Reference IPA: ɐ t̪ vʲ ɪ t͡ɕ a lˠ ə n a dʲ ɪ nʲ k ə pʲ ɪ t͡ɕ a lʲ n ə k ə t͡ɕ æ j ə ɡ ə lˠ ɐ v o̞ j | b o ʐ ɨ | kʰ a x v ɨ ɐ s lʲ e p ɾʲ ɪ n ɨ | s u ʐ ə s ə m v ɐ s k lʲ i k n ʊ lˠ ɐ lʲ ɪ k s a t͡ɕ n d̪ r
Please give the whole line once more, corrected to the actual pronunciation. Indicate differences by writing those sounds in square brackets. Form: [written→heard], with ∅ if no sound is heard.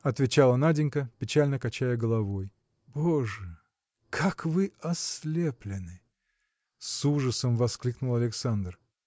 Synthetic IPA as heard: ɐ t̪ vʲ ɪ t͡ɕ a lˠ ə n a dʲ ɪ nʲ k ə pʲ ɪ t͡ɕ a lʲ n ə k [ə→ɐ] t͡ɕ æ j ə ɡ ə lˠ ɐ v o̞ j | b o ʐ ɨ | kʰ a [x→k] v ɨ ɐ s lʲ e p [ɾʲ→lʲ] ɪ n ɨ | s u ʐ ə s ə m v ɐ s k lʲ i k n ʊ lˠ ɐ lʲ ɪ k s a [t͡ɕ→∅] n d̪ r